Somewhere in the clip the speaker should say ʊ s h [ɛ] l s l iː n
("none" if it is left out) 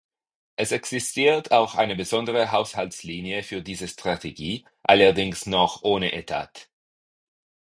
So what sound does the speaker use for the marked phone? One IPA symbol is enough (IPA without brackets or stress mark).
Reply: a